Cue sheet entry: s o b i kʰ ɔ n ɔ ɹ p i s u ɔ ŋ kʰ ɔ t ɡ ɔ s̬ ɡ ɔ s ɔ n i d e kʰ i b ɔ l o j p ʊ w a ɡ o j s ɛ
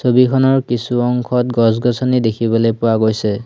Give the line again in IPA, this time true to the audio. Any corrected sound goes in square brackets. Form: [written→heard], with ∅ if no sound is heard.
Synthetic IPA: s o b i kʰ ɔ n ɔ ɹ [p→k] i s u ɔ ŋ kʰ ɔ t ɡ ɔ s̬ ɡ ɔ s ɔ n i d e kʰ i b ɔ l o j p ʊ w a ɡ o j s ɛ